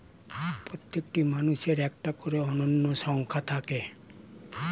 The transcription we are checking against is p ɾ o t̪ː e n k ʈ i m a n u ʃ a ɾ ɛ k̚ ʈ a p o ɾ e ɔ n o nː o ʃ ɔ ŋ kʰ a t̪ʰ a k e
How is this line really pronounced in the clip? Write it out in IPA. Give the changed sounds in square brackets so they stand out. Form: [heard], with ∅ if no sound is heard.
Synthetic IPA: p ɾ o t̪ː e [∅] k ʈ i m a n u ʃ [e] ɾ ɛ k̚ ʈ a [k] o ɾ e ɔ n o nː o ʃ ɔ ŋ kʰ a t̪ʰ a k e